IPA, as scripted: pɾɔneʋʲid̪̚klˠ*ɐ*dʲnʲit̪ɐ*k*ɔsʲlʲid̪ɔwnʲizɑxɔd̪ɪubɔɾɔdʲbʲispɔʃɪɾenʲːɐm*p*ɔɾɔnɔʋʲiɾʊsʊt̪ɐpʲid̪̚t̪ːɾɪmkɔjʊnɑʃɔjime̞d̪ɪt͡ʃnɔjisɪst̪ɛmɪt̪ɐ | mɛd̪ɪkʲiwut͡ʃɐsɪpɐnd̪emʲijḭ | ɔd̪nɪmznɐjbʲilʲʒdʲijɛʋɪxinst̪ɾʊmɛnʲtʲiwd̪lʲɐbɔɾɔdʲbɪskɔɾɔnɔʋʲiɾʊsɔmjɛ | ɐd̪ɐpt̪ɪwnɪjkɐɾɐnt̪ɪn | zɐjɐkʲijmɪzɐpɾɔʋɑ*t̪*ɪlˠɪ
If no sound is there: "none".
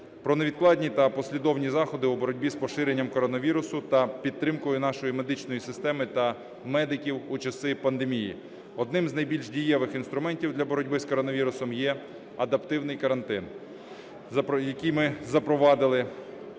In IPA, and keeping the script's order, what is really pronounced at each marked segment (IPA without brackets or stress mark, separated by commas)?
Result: ɑ, p, k, d̪